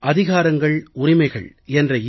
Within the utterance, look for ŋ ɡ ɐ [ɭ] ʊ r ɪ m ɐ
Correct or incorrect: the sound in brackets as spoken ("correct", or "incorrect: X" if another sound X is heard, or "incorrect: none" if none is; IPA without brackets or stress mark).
correct